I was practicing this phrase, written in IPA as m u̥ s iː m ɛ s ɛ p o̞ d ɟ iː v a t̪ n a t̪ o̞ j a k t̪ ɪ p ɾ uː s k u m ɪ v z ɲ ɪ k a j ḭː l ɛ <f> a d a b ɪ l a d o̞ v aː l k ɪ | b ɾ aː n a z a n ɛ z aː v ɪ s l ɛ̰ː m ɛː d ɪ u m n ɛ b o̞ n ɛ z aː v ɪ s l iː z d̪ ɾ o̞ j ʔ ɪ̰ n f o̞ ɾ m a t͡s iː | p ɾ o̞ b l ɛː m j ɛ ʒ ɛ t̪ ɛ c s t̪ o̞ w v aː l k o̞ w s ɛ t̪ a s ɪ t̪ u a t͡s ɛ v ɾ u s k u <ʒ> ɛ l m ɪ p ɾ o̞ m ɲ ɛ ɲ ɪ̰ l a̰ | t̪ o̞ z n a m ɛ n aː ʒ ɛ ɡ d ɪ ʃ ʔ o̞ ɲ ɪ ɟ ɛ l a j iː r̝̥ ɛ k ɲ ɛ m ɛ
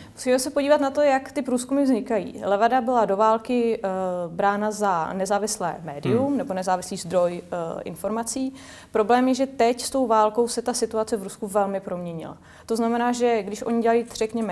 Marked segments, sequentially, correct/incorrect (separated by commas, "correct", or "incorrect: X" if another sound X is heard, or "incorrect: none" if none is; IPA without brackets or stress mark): incorrect: v, incorrect: v